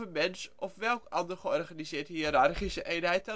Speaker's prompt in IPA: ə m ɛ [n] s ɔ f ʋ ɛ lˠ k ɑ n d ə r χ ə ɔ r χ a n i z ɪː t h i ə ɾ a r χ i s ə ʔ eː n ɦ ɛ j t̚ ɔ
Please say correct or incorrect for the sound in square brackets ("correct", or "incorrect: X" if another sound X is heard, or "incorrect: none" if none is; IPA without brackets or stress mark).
correct